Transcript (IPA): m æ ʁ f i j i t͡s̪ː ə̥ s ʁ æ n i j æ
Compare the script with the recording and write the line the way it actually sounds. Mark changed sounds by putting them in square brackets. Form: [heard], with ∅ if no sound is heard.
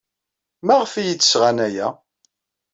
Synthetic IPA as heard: m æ ʁ f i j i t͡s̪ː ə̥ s ʁ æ n [æ] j æ